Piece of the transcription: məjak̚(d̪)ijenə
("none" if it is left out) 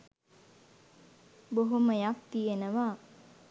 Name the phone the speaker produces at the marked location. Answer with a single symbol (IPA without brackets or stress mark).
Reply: t̪